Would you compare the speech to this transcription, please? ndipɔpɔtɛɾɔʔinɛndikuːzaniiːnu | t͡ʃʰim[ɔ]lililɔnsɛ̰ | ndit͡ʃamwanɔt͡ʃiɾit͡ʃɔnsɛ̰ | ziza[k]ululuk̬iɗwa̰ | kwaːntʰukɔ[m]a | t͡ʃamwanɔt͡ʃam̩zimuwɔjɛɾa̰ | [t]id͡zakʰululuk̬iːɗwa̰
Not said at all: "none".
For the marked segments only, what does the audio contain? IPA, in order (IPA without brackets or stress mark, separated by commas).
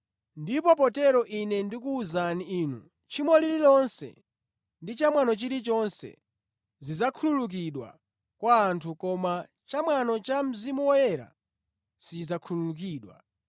ɔ, kʰ, m, s